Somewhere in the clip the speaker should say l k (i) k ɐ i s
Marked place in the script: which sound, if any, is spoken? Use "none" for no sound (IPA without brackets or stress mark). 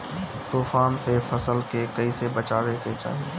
e